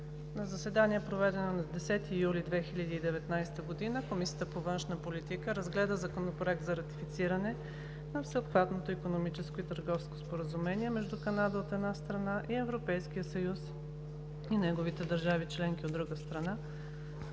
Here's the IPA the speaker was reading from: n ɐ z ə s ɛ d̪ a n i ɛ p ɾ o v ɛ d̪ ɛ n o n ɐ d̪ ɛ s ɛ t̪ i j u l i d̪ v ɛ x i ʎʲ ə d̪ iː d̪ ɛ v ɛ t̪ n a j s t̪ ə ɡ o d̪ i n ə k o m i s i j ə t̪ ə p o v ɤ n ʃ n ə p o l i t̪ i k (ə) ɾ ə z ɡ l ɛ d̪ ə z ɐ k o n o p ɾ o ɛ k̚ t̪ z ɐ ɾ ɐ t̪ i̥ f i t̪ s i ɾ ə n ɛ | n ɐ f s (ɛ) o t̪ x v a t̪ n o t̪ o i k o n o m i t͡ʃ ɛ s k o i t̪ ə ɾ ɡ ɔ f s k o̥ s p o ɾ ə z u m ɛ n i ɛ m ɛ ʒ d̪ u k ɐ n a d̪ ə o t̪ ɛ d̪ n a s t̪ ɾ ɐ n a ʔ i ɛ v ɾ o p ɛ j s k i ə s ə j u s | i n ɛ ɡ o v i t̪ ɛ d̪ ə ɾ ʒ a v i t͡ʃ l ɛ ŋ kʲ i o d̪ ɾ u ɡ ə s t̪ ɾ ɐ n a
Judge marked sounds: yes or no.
yes, yes

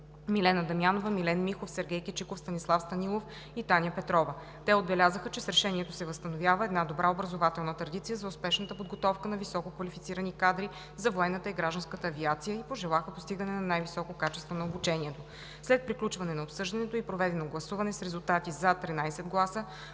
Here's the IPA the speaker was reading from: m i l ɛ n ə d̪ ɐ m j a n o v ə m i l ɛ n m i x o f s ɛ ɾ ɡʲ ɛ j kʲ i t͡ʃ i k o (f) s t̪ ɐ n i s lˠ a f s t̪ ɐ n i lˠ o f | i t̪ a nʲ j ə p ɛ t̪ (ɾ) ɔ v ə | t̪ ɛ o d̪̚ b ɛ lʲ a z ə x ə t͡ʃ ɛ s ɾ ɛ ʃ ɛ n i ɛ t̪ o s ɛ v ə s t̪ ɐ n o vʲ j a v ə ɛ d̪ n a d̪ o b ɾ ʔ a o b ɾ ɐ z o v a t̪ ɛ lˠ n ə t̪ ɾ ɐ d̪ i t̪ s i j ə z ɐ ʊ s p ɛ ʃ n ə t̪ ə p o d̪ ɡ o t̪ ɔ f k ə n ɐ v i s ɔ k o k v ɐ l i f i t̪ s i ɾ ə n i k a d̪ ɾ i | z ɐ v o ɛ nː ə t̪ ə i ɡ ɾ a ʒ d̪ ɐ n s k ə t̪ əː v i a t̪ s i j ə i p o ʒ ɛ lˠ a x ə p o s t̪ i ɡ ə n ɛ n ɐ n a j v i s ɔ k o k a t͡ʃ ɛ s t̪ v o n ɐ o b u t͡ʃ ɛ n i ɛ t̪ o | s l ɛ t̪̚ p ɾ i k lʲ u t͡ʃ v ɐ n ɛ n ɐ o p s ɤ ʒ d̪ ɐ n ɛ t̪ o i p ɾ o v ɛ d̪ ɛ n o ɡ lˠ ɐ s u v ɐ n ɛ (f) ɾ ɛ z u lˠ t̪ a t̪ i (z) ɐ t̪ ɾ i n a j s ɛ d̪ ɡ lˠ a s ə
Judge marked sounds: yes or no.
yes, yes, no, yes

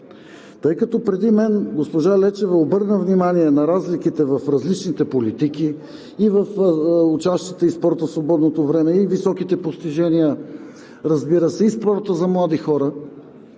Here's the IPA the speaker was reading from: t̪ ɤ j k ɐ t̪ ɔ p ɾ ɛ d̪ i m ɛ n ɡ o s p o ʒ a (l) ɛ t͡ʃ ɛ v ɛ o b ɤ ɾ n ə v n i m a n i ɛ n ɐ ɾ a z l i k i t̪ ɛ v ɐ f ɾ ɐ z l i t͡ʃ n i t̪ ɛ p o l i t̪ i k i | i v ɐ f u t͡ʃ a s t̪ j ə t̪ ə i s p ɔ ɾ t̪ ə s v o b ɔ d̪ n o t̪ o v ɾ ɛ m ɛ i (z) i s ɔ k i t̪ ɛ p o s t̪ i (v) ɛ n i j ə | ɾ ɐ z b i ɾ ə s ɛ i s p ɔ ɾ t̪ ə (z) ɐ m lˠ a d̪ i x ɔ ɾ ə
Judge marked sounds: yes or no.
yes, no, no, yes

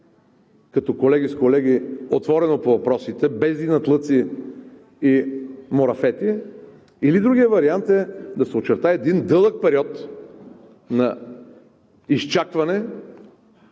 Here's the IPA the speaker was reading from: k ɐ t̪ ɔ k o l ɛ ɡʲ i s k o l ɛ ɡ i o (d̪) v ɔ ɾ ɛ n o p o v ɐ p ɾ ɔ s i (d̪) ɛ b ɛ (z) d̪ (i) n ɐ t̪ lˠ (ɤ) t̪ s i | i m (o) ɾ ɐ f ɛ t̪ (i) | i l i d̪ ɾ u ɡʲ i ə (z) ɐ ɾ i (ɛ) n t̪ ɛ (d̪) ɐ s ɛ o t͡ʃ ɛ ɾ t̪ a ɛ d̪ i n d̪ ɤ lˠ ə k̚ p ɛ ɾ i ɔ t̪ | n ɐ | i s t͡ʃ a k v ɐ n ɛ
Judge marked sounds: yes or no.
no, no, yes, yes, yes, yes, yes, no, no, yes

